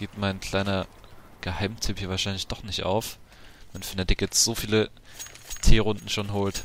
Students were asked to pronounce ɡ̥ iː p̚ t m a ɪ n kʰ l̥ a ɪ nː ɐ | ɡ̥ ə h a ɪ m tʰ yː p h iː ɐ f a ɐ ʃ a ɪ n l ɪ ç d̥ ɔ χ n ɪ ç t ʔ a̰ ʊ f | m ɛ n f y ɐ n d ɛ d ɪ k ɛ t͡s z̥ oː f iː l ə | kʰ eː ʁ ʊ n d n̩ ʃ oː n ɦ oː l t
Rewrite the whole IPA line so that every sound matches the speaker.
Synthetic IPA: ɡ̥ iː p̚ t m a ɪ n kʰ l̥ a ɪ n ɐ | ɡ̥ ə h a ɪ m tʰ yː p h iː ɐ v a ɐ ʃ a ɪ n l ɪ ç d̥ ɔ χ n ɪ ç t ʔ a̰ ʊ f | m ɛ n f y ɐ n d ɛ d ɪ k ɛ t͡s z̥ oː f iː l ə | tʰ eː ʁ ʊ n d n̩ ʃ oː n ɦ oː l t